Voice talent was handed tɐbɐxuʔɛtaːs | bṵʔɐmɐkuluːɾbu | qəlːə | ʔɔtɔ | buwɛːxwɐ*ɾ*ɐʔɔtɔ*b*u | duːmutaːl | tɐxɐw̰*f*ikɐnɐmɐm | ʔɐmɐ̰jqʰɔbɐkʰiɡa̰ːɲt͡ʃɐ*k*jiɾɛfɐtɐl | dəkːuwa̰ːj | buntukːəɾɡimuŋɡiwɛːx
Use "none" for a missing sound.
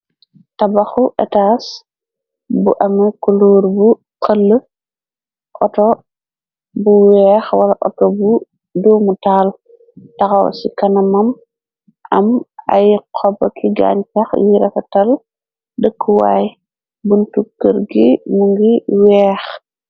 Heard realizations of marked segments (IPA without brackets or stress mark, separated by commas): l, b, s, x